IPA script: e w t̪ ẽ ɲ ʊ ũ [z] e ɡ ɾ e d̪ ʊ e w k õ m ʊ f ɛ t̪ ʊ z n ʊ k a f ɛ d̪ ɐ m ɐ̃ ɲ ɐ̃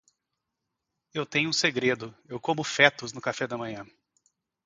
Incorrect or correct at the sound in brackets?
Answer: incorrect: s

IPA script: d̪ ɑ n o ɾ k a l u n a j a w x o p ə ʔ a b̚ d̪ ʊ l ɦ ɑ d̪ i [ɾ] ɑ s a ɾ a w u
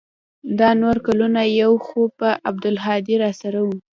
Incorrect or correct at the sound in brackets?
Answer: correct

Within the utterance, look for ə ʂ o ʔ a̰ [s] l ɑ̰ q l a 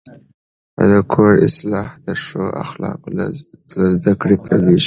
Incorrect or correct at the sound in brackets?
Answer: incorrect: x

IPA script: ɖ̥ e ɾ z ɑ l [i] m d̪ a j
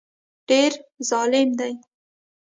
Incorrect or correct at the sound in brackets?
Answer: incorrect: ɪ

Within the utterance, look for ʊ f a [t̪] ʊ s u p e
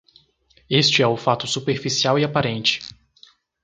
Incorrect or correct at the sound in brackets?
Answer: correct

